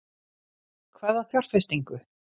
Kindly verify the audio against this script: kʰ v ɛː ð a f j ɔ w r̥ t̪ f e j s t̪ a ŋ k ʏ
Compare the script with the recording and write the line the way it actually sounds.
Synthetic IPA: kʰ v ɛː ð a θ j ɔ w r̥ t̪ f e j s t̪ i ŋ k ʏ